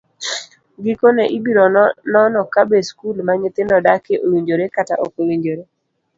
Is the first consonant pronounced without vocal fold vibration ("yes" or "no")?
no